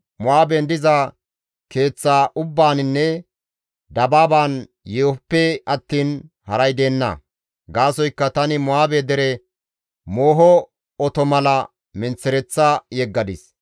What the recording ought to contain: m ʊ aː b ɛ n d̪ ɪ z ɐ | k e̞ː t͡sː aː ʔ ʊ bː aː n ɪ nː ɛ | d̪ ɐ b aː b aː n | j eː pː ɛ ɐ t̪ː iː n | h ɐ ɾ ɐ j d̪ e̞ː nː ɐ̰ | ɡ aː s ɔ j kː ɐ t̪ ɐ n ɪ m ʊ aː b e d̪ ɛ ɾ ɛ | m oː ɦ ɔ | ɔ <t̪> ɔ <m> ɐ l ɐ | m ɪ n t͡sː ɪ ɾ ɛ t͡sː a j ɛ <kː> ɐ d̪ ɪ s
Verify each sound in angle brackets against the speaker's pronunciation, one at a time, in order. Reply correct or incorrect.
correct, correct, incorrect: ɡː

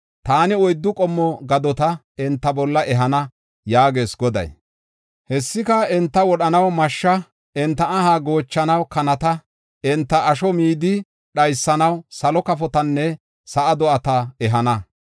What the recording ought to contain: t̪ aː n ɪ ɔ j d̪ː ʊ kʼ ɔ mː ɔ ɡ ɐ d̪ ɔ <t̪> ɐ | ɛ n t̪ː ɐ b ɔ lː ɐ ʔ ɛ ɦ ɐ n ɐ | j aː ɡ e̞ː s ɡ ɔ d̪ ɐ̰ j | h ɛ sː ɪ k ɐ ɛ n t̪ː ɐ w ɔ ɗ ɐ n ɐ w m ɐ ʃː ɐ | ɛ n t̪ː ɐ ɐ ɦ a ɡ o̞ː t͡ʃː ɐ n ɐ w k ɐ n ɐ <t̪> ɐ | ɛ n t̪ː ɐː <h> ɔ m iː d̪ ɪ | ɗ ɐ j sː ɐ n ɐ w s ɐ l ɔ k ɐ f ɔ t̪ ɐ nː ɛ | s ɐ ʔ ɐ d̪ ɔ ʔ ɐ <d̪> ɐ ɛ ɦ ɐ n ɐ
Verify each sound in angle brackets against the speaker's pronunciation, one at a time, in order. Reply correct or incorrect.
correct, correct, incorrect: ʃ, incorrect: t̪

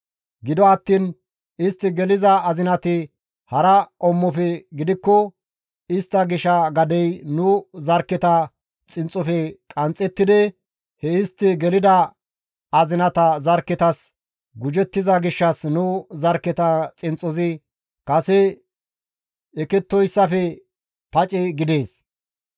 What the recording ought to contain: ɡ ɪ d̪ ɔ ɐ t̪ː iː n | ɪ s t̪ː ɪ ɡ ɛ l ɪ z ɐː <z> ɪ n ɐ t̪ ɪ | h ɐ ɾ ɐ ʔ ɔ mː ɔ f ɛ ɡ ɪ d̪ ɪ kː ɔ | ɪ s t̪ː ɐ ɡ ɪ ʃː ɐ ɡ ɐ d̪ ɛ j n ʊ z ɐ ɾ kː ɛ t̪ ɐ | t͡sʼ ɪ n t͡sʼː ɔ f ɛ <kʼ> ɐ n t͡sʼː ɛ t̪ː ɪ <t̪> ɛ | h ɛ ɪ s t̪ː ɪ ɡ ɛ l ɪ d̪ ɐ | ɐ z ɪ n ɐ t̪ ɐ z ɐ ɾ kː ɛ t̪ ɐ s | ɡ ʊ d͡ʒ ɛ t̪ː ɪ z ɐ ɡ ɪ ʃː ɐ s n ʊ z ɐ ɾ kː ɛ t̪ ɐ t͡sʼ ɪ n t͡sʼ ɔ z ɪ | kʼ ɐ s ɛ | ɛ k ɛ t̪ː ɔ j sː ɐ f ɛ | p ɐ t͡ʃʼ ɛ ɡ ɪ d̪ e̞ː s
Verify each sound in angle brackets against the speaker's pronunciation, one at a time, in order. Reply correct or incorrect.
correct, correct, incorrect: d̪

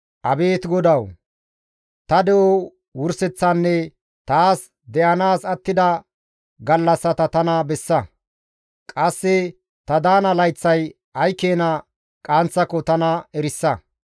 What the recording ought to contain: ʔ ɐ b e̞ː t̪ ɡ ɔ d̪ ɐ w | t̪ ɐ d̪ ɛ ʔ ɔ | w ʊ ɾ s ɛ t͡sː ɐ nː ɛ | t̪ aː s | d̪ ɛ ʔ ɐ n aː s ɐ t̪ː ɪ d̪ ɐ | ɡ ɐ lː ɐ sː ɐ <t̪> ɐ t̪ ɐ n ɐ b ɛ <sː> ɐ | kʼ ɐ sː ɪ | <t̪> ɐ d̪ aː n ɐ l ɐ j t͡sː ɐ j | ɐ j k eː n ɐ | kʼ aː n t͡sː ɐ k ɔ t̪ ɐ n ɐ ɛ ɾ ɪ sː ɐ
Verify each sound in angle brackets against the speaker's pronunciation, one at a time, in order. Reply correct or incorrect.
correct, correct, correct

